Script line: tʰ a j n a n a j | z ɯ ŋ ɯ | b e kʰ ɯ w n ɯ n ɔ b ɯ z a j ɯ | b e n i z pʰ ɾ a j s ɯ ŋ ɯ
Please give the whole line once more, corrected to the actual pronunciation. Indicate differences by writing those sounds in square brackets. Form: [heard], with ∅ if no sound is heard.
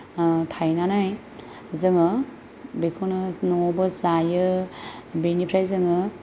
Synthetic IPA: tʰ a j n a n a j | z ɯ ŋ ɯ | b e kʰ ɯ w n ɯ n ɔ b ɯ z a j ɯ | b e n i [∅] pʰ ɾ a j [z] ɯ ŋ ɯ

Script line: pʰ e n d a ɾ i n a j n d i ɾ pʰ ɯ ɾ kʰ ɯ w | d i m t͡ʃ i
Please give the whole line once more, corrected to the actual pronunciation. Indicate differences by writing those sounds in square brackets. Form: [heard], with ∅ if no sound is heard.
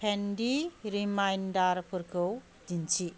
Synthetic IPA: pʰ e n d [i] ɾ i [m] a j n d [a] ɾ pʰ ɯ ɾ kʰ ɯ w | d i [n] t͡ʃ i

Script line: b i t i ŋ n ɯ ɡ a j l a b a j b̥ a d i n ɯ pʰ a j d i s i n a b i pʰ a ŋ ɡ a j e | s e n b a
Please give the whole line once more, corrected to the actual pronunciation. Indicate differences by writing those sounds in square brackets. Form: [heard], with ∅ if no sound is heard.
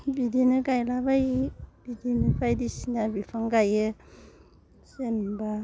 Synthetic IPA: b i [d] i [∅] n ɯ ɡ a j l a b a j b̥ [i] d i n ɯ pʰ a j d i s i n a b i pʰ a ŋ ɡ a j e | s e n b a

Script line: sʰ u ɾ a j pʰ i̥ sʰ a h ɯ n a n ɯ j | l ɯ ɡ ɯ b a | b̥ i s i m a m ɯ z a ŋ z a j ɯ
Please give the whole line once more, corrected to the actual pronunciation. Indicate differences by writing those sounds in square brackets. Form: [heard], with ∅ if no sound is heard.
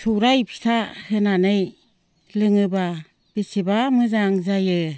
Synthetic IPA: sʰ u ɾ a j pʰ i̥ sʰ a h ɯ n a n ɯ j | l ɯ [ŋ] ɯ b a | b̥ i s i [b] a m ɯ z a ŋ z a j ɯ

